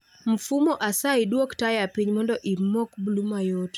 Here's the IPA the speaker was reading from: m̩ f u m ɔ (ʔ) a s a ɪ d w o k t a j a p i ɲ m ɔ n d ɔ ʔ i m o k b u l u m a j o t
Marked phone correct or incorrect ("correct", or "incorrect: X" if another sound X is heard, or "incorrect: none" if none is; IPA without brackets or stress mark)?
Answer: correct